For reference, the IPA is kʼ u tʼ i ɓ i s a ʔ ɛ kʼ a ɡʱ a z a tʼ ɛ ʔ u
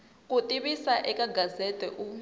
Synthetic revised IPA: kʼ u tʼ i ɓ i s a ʔ ɛ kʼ a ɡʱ a z ɛ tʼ ɛ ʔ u